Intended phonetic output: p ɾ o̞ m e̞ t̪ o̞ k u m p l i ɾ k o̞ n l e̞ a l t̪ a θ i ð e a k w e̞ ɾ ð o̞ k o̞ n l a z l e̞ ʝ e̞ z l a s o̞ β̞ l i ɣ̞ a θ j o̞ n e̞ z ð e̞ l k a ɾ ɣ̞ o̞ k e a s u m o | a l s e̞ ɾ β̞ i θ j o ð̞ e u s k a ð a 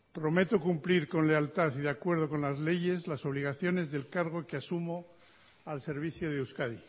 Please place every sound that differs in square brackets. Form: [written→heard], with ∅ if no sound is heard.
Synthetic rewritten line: p ɾ o̞ m e̞ t̪ o̞ k u m p l i ɾ k o̞ n l e̞ a l t̪ a θ i ð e a k w e̞ ɾ ð o̞ k o̞ n l a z l e̞ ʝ e̞ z l a s o̞ β̞ l i ɣ̞ a θ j o̞ n e̞ z ð e̞ l k a ɾ ɣ̞ o̞ k e a s u m o | a l s e̞ ɾ β̞ i θ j o ð̞ e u s k a ð [a→i]